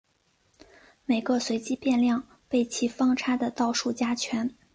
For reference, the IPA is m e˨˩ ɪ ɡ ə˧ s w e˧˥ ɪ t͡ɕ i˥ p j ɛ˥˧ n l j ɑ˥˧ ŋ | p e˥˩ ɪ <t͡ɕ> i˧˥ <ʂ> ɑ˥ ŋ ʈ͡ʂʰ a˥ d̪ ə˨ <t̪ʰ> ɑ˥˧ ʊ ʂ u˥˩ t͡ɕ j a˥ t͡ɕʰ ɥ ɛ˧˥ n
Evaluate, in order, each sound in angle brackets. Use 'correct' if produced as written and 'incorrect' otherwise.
incorrect: t͡ɕʰ, incorrect: f, incorrect: t̪

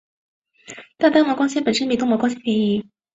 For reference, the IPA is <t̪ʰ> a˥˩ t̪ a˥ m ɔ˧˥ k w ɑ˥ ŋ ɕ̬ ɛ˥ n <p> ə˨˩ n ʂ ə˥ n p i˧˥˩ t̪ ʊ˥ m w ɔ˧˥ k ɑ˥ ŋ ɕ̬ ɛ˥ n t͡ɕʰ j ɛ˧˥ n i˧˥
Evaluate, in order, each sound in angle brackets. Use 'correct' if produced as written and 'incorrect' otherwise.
incorrect: t̪, correct

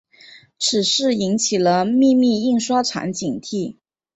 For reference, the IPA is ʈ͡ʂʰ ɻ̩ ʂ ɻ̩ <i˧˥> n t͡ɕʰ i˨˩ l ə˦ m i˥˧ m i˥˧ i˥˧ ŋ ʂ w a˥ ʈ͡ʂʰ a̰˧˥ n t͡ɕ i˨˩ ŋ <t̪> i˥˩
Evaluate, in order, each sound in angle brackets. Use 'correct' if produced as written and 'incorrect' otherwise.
correct, incorrect: t̪ʰ

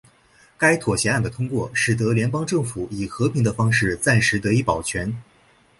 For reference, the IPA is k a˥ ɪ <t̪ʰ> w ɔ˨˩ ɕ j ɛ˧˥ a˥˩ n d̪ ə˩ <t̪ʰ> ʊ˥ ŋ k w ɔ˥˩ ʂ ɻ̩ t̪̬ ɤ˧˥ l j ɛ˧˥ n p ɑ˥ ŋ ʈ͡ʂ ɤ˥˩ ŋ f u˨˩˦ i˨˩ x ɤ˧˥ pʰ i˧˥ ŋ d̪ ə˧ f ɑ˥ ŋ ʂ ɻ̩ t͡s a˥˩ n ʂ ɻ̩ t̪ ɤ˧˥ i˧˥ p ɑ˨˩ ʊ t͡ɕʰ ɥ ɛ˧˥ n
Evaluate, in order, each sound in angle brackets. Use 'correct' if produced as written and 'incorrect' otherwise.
correct, correct

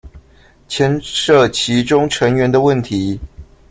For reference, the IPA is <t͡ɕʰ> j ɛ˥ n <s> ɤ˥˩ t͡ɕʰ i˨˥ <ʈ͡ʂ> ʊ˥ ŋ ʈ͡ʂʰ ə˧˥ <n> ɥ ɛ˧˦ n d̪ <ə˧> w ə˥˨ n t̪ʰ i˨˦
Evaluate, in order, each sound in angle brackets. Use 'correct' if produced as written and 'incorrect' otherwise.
correct, incorrect: ʂ, correct, incorrect: ŋ, correct

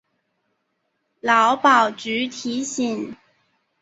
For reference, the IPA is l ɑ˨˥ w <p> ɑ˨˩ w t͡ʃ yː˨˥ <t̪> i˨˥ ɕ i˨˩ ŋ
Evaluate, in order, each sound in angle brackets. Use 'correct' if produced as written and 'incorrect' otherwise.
correct, incorrect: t̪ʰ

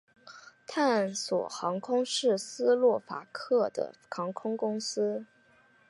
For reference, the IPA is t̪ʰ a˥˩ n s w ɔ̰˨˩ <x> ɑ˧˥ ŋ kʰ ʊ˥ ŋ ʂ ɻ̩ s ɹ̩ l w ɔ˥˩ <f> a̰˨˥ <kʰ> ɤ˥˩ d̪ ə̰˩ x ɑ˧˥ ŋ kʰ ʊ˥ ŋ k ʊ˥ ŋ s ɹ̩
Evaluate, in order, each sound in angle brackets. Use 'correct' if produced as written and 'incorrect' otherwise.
correct, correct, correct

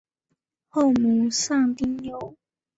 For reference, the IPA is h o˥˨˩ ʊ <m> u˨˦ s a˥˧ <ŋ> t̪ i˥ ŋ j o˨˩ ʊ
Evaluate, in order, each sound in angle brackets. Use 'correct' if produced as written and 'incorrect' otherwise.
correct, correct

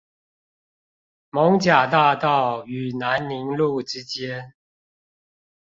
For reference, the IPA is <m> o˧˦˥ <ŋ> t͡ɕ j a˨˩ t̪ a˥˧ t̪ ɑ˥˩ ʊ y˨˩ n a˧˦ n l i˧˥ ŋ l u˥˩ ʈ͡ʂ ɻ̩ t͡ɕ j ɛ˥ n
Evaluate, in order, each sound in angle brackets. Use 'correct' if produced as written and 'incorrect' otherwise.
correct, correct

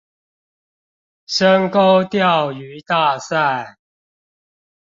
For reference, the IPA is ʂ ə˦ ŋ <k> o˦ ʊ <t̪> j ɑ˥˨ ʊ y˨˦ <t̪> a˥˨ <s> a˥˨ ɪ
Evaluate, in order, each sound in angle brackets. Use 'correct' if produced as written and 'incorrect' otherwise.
correct, correct, correct, correct

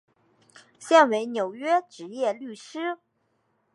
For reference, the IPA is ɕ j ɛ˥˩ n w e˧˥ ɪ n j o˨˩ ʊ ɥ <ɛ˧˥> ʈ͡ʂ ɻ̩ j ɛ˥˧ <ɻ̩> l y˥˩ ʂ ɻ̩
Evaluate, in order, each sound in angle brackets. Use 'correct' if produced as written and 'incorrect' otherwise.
incorrect: ɛ˥, incorrect: none

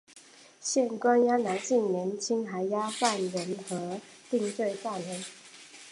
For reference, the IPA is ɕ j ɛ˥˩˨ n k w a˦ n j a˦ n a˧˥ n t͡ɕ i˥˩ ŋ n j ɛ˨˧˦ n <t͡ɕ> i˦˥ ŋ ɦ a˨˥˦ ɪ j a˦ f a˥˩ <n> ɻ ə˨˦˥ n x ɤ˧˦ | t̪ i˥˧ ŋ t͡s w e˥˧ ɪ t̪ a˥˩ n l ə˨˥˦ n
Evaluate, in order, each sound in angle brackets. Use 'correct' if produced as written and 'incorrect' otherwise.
incorrect: t͡ɕʰ, correct

